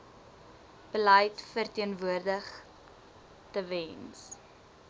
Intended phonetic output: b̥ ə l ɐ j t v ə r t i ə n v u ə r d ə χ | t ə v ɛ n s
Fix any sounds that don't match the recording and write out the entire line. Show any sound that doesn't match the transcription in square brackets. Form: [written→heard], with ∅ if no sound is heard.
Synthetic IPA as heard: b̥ ə l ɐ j t [v→f] ə r t i ə n v u ə r d ə χ | t ə v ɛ n s